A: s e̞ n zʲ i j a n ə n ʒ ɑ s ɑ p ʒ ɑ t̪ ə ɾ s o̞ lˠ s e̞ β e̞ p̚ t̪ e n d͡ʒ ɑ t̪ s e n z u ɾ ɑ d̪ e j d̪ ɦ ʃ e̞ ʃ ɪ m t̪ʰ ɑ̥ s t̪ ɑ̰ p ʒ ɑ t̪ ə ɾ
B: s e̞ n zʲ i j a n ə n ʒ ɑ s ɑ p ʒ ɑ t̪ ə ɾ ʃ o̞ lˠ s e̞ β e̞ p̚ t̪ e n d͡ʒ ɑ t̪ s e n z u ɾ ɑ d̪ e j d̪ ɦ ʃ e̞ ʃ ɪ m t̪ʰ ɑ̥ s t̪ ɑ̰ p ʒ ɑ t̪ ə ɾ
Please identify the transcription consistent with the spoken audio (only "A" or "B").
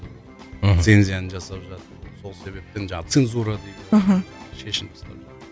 A